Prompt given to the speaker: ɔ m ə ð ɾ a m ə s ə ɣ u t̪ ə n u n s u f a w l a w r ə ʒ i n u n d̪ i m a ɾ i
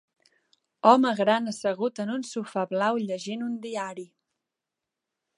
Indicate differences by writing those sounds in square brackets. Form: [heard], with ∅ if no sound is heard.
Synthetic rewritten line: ɔ m ə [ɣ] ɾ a [n] ə s ə ɣ u t̪ ə n u n s u f a [β] l a w [ʎ] ə ʒ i n u n d̪ i [∅] a ɾ i